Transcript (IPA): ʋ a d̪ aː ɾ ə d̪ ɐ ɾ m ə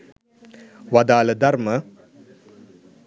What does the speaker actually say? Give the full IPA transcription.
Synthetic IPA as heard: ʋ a d̪ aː l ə d̪ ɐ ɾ m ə